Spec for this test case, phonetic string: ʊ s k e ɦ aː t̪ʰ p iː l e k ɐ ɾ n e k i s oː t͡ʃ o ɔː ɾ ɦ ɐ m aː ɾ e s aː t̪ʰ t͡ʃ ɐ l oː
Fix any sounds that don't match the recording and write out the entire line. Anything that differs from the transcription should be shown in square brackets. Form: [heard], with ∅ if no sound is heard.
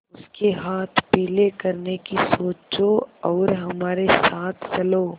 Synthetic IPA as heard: ʊ s k e ɦ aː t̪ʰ p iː l e k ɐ ɾ n e k i s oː t͡ʃ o ɔː ɾ ɦ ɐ m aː ɾ e s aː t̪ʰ t͡ʃ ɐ l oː